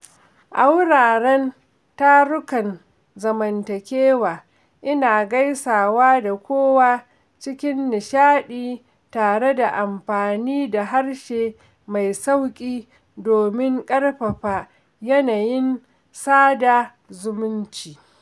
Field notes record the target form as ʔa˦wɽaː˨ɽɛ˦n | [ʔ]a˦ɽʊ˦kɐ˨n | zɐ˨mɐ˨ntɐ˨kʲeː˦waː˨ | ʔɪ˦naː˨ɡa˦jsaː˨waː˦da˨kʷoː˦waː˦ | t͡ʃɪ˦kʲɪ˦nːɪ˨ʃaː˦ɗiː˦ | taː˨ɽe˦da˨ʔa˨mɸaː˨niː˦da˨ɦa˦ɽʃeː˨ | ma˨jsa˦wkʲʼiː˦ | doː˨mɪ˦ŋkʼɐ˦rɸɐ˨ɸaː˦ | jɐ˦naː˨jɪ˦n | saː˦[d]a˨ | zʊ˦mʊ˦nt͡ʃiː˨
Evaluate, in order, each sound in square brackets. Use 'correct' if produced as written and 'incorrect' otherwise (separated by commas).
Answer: incorrect, correct